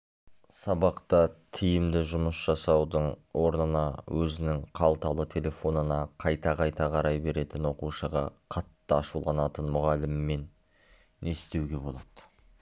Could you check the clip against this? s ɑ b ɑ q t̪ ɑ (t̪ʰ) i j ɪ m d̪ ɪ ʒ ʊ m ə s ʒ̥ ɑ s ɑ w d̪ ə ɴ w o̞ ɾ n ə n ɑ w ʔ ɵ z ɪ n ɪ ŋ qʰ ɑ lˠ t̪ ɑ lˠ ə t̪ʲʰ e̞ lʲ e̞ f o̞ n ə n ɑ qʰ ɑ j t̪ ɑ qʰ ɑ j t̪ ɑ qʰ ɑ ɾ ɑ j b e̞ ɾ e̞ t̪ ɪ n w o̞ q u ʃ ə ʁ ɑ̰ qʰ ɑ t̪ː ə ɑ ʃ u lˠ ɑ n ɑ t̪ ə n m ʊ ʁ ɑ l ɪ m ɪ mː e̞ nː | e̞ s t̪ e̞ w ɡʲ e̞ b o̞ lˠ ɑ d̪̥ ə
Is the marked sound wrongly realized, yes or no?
no